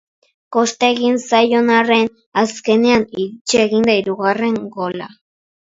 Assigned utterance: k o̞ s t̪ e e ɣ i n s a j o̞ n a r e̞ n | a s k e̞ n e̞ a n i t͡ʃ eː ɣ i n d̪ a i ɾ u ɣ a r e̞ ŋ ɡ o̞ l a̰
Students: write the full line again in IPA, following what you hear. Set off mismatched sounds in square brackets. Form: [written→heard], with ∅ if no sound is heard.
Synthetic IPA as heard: k o̞ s t̪ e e ɣ i n s a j o̞ n a r e̞ n | a s k e̞ n e̞ a n i t͡ʃ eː ɣ i n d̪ a i ɾ u ɣ a r e̞ ŋ ɡ o̞ l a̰